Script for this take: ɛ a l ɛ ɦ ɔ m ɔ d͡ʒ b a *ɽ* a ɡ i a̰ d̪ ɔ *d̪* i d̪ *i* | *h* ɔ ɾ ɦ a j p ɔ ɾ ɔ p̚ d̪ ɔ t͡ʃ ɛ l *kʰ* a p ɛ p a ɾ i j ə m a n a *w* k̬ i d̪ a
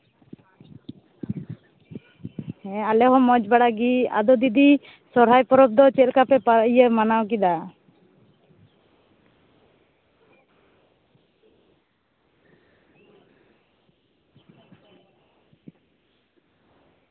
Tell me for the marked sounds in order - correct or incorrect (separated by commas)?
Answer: correct, correct, correct, incorrect, incorrect, correct